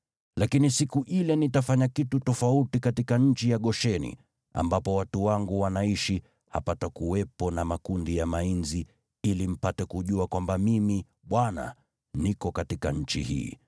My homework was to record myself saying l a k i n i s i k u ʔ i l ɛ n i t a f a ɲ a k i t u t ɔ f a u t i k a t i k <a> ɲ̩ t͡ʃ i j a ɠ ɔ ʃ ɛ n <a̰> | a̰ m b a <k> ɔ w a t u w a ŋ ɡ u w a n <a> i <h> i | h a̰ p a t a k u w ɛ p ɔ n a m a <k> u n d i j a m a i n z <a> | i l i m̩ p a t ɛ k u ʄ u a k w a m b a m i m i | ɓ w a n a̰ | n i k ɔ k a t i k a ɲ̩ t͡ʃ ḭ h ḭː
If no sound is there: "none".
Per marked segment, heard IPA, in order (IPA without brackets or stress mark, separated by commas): a, ḭ, p, a, ʃ, k, i